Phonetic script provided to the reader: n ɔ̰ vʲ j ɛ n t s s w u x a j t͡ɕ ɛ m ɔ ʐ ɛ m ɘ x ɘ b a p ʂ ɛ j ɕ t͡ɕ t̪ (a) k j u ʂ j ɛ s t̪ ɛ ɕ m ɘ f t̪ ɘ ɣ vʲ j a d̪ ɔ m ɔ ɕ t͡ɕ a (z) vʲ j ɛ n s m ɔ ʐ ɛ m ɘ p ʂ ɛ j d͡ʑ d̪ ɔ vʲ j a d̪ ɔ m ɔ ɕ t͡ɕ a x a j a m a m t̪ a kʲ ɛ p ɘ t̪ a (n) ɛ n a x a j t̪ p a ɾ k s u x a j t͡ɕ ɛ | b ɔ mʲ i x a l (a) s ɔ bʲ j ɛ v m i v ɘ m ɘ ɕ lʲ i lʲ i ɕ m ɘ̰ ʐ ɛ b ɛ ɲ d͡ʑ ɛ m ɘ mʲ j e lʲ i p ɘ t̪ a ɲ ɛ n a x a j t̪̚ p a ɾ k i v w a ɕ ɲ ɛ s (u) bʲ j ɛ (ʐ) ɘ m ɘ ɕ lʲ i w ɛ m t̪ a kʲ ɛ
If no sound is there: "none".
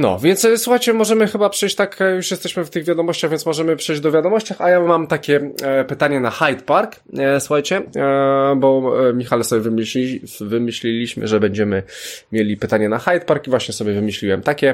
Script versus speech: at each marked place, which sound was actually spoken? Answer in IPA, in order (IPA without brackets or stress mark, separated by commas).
a, ɣ, ɲ, ɛ, ɔ, v